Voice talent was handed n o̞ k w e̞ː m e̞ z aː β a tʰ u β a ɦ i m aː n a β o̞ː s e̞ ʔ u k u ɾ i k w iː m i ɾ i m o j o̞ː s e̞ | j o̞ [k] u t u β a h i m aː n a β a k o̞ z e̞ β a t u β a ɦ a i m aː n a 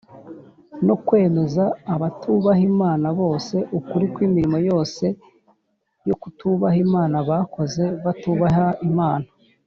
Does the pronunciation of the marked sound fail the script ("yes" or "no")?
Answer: no